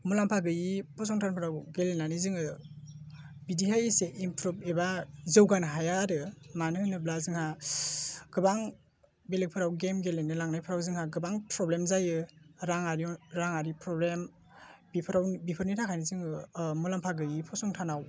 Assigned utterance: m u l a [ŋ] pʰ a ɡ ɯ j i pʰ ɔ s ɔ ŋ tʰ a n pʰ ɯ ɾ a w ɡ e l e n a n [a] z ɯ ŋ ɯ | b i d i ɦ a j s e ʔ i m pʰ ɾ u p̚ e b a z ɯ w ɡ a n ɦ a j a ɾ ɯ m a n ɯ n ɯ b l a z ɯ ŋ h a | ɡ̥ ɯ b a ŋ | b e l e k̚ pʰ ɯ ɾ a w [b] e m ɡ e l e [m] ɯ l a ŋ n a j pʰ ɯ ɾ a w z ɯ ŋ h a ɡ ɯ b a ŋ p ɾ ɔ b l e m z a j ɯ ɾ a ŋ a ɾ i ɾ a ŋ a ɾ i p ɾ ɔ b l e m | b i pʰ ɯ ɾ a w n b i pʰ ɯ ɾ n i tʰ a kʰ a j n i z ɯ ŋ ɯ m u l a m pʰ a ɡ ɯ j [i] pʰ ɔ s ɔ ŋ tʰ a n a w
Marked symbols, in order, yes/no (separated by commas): no, no, no, no, yes